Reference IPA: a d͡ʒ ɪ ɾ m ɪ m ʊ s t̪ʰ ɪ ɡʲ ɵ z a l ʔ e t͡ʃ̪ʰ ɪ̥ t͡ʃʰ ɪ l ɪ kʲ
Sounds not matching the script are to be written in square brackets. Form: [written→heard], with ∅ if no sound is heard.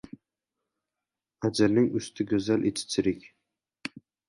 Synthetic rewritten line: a d͡ʒ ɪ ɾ [m→n] ɪ [m→ŋ] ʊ s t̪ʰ ɪ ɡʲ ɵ z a l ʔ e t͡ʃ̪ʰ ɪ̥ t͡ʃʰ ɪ [l→ɾ] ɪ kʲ